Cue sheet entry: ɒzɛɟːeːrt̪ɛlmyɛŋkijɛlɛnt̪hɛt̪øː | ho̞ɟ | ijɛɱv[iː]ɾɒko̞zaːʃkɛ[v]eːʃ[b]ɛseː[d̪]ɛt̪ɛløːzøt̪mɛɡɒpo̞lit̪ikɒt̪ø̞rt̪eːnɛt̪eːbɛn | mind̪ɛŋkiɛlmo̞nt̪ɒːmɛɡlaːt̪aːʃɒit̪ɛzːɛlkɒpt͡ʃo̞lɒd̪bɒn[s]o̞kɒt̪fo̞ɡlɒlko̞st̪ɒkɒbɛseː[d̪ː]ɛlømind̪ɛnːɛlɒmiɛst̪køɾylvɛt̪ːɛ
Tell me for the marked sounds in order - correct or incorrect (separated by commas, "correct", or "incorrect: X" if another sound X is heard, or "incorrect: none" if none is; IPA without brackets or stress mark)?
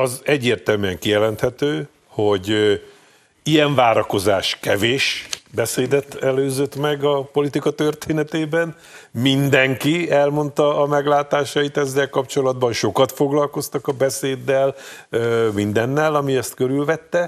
incorrect: aː, correct, correct, correct, incorrect: ʃ, correct